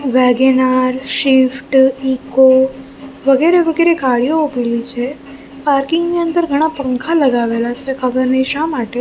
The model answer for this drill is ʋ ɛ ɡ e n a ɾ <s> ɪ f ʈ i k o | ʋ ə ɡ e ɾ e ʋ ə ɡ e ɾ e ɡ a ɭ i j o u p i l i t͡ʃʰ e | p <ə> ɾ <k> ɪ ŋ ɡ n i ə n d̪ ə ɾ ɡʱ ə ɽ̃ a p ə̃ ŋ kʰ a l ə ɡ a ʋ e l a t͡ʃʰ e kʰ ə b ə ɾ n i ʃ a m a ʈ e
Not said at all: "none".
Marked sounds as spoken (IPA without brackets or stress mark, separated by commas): ʃ, a, k